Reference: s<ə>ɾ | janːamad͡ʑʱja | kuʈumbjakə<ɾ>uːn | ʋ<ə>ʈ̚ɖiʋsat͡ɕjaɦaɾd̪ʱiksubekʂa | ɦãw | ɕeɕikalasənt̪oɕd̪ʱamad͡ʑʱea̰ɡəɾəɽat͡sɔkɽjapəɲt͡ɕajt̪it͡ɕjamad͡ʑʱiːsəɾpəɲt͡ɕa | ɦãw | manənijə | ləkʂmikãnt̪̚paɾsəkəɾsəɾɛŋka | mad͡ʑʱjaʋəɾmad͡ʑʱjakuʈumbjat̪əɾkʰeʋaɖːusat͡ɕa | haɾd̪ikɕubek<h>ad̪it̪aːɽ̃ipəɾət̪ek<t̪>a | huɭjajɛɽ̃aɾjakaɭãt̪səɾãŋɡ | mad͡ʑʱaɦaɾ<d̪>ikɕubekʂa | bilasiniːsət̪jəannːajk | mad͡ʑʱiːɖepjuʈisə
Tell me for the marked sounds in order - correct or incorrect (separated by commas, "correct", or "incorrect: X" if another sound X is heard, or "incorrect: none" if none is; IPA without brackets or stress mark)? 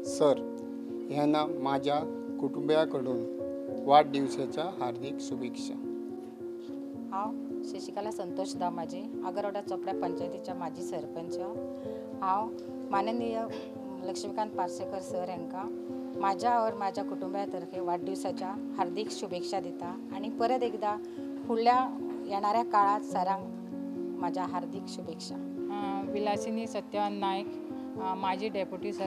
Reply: correct, incorrect: ɽ, incorrect: a, incorrect: ʂ, incorrect: d̪, correct